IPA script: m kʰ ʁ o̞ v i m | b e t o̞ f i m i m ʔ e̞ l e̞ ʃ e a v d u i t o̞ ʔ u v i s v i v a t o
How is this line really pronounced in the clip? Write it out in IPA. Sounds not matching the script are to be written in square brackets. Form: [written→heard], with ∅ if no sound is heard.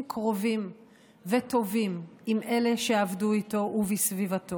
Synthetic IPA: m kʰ ʁ o̞ v i m | [b→v] e t o̞ [f→v] i m i m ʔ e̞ l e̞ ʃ e a v d u i t o̞ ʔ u v i s v i v a t o